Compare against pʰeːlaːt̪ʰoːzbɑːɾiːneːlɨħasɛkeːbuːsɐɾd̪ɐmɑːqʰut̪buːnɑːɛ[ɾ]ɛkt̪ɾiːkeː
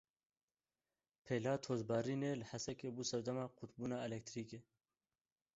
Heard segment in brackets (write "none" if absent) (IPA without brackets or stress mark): l